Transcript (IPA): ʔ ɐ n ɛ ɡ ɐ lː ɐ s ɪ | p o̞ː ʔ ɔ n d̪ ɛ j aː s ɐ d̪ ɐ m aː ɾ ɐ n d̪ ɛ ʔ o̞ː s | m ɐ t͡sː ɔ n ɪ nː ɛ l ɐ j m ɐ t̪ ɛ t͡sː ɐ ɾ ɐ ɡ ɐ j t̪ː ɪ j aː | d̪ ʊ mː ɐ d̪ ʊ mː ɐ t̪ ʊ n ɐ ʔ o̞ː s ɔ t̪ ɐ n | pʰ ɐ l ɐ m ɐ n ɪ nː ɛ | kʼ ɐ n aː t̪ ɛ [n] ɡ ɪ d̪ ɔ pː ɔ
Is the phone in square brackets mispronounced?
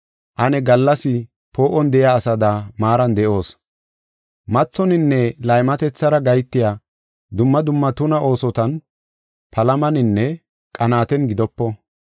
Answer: no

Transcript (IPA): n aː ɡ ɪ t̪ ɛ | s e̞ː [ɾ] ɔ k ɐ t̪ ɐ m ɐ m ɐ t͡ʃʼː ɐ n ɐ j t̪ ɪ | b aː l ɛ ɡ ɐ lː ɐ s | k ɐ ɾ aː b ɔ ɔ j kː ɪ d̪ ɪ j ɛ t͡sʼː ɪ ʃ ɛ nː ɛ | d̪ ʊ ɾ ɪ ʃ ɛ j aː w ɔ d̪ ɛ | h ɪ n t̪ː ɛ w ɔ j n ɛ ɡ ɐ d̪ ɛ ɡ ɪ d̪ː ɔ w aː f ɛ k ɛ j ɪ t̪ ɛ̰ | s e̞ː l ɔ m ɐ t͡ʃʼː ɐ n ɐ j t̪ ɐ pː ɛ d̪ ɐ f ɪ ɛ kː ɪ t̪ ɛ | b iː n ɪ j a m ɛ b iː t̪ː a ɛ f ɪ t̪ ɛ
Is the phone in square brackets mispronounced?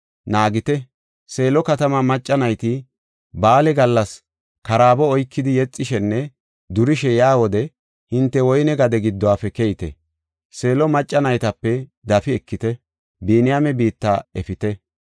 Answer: yes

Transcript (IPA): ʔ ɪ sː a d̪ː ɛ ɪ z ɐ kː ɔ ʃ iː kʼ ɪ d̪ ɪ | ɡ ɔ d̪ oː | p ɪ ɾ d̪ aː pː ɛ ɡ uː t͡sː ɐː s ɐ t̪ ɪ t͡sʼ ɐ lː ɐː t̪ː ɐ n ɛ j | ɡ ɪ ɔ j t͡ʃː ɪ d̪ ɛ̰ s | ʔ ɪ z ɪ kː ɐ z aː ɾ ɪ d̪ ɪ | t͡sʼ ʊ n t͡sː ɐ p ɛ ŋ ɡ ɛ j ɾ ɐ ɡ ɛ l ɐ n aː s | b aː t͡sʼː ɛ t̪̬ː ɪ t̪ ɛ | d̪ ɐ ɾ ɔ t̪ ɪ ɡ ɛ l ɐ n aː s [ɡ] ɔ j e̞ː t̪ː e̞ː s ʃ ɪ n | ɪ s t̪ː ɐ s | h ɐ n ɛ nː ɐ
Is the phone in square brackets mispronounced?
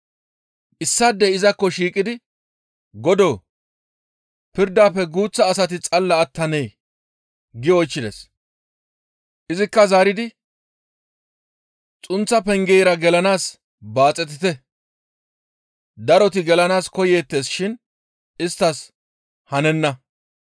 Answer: yes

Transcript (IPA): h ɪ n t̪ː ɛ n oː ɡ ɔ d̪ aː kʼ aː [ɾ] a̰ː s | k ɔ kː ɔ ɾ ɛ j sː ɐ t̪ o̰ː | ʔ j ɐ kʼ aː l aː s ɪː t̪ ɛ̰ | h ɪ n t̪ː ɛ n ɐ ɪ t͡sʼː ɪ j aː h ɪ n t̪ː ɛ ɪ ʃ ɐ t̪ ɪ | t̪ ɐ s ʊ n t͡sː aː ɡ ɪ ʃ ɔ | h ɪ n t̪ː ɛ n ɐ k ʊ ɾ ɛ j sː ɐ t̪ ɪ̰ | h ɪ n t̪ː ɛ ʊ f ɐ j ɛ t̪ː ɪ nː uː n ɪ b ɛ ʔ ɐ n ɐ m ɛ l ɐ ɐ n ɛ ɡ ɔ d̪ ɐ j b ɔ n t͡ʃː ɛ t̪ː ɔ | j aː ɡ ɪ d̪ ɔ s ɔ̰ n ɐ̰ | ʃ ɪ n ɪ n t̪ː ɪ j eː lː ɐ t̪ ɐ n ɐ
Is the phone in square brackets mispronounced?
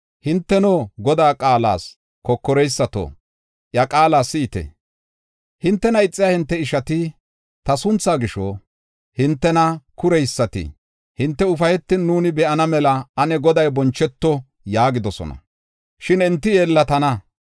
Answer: yes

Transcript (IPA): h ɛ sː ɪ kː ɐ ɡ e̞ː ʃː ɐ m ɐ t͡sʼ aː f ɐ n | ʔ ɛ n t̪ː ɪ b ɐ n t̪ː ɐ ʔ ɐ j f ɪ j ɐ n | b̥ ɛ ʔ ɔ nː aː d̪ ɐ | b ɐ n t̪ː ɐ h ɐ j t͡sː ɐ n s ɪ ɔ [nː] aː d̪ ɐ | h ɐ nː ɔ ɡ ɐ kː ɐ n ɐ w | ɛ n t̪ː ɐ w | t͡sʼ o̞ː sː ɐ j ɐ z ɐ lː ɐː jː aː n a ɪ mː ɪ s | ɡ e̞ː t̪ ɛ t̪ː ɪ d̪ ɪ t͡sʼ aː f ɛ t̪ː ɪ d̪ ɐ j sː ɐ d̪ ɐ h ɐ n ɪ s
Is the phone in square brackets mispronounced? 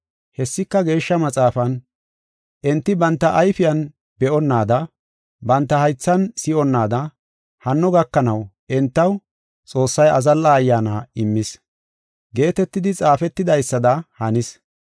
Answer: no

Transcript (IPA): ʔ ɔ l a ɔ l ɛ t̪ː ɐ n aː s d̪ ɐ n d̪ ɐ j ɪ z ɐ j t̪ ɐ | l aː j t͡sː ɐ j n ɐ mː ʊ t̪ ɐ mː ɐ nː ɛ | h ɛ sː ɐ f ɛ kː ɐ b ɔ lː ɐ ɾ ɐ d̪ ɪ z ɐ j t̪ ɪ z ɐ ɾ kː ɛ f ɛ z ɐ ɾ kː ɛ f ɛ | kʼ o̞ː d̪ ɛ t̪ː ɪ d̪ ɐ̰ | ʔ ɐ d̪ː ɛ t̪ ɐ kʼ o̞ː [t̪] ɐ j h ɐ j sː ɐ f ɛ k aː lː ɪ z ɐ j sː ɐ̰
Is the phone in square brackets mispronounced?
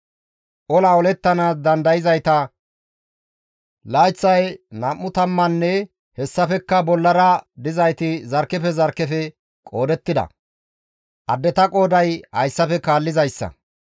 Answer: yes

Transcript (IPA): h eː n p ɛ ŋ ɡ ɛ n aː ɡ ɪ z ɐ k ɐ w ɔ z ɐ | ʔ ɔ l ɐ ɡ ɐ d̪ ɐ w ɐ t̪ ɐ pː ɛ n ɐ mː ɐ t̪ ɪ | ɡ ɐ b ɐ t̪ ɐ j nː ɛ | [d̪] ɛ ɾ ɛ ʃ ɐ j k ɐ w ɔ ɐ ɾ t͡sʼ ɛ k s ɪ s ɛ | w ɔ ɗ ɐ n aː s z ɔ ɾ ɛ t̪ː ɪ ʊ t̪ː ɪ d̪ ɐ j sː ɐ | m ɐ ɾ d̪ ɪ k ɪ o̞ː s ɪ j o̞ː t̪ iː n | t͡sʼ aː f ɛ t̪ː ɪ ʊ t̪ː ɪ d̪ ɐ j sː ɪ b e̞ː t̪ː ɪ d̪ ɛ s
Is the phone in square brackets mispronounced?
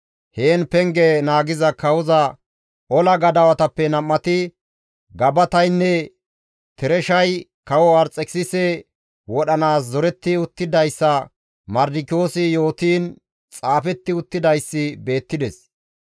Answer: yes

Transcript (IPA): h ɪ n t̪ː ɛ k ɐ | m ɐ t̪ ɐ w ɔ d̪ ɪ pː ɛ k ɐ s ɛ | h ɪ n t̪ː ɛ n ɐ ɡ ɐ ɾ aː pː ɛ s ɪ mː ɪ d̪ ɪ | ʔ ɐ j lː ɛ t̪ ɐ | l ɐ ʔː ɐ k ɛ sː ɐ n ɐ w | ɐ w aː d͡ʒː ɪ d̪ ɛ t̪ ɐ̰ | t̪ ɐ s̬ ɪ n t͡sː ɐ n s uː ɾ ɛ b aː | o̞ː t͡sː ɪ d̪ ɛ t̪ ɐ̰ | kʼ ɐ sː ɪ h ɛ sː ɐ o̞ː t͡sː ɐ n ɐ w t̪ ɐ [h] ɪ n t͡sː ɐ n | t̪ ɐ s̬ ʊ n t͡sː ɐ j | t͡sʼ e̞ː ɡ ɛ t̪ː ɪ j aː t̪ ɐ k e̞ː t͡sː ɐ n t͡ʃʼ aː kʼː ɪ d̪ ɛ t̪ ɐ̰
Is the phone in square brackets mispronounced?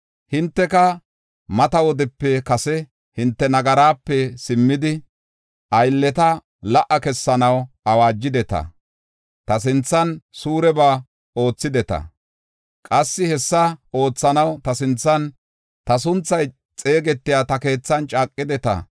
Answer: yes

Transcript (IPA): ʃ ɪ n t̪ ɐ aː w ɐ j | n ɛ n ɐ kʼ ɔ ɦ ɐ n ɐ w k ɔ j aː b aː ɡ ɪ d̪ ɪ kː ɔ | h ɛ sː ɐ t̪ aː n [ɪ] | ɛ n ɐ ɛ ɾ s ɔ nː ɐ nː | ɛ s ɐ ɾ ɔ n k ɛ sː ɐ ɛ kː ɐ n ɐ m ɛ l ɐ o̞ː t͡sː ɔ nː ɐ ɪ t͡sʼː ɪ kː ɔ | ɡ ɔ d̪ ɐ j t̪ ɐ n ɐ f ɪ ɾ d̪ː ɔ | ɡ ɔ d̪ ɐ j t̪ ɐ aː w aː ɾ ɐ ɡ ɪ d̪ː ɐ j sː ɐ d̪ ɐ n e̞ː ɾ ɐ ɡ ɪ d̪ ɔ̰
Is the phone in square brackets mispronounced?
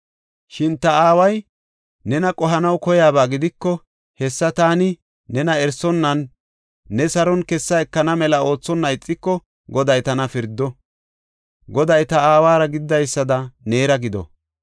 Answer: yes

